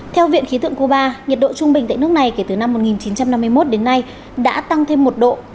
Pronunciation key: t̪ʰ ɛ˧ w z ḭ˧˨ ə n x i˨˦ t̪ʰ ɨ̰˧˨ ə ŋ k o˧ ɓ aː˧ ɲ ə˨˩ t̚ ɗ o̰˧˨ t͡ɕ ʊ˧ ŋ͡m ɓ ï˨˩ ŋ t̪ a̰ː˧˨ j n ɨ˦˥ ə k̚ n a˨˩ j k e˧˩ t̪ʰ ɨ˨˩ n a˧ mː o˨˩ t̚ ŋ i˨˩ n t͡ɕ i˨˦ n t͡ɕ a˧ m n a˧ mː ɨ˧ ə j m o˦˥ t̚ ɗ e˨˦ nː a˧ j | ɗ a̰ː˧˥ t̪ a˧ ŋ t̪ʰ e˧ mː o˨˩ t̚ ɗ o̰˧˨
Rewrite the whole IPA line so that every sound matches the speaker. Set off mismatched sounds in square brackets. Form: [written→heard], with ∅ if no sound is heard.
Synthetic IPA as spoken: t̪ʰ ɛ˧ w [z→v] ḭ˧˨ ə n x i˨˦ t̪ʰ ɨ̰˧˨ ə ŋ k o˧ ɓ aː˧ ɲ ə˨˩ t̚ ɗ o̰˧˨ t͡ɕ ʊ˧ ŋ͡m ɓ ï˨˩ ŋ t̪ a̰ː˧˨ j n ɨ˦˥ ə k̚ n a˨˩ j k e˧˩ [t̪ʰ→t̪] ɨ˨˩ n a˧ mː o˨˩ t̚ ŋ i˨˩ n t͡ɕ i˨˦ n t͡ɕ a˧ m n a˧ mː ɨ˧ ə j m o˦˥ t̚ ɗ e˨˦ nː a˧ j | ɗ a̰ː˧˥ t̪ a˧ ŋ t̪ʰ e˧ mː o˨˩ t̚ ɗ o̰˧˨